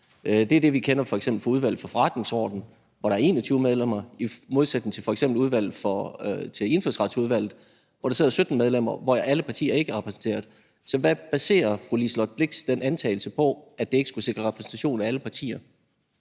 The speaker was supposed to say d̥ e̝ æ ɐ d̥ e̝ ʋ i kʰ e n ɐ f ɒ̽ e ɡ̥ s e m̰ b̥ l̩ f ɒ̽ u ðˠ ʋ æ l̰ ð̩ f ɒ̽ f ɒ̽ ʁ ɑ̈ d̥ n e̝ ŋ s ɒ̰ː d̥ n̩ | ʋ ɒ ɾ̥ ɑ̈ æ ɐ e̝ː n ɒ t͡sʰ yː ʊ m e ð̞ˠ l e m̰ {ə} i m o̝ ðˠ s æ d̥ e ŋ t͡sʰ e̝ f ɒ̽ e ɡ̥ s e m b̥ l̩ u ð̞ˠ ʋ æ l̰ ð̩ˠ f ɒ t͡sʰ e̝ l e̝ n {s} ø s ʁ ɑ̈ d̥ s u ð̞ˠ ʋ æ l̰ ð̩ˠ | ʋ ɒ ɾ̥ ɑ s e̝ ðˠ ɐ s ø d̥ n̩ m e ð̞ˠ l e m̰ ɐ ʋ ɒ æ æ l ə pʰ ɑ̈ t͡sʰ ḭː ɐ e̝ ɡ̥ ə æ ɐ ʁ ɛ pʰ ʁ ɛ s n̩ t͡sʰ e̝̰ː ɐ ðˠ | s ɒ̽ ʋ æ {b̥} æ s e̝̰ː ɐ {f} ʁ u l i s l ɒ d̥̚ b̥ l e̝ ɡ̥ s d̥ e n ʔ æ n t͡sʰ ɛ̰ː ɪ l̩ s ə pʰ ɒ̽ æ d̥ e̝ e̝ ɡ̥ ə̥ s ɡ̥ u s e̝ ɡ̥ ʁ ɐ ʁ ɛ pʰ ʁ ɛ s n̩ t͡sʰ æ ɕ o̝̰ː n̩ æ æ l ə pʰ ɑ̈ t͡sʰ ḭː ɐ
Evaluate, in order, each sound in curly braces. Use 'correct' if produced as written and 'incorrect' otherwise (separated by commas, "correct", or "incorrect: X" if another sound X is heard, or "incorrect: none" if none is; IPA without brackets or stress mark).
incorrect: ɐ, incorrect: f, correct, correct